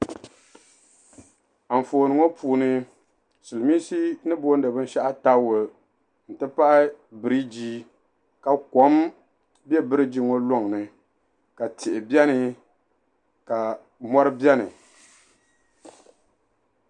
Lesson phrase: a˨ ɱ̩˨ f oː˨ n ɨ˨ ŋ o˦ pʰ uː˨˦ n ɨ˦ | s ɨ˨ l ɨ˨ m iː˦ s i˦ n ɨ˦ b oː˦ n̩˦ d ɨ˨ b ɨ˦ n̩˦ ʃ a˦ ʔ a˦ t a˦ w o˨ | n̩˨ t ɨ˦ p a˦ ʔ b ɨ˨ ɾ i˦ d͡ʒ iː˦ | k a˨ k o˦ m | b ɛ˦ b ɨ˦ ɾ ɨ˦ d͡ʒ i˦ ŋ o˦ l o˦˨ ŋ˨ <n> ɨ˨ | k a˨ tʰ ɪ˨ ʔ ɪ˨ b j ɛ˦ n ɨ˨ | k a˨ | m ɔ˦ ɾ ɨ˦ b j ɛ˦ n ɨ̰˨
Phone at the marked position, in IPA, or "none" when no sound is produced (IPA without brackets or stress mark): n